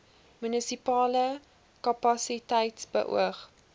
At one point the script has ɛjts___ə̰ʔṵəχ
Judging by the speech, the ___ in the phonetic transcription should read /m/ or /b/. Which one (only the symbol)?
b